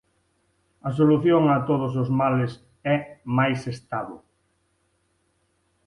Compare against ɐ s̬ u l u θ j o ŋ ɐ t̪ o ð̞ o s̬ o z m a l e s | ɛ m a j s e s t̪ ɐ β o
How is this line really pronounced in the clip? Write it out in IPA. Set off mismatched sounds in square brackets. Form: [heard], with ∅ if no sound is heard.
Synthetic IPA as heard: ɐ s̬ [o] l u θ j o ŋ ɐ t̪ o ð̞ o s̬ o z m a l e s | ɛ m a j s e s t̪ [a] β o